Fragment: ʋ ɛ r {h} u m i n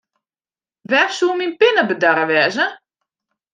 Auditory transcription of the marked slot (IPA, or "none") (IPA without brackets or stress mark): s